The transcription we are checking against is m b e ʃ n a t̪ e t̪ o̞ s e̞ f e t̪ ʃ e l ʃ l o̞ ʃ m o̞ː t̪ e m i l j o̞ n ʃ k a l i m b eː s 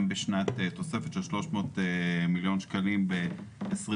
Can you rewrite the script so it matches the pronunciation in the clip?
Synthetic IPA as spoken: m b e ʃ n a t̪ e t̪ o̞ s e̞ f e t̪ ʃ e l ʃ l o̞ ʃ m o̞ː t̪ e m i l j o̞ n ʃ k a l i m b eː s